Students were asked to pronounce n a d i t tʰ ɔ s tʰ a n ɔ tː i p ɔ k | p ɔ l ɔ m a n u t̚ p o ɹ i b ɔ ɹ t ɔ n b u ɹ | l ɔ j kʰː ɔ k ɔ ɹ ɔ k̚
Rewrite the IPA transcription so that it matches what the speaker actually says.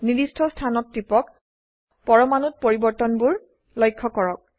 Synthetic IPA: n i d i s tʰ ɔ s tʰ a n ɔ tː i p ɔ k | p ɔ ɹ ɔ m a n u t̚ p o ɹ i b ɔ ɹ t ɔ n b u ɹ | l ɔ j kʰː ɔ k ɔ ɹ ɔ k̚